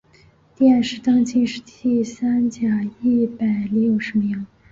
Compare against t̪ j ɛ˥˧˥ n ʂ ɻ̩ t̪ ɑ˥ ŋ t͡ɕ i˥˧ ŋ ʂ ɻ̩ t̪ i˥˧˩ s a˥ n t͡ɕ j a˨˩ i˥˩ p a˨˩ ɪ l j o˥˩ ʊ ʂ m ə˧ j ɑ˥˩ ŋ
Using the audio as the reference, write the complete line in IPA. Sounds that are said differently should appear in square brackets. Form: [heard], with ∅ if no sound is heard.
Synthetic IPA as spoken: t̪ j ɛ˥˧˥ n ʂ ɻ̩ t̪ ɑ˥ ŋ t͡ɕ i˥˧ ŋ ʂ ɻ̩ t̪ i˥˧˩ s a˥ n t͡ɕ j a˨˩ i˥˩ p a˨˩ ɪ l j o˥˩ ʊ ʂ m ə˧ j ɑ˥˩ ŋ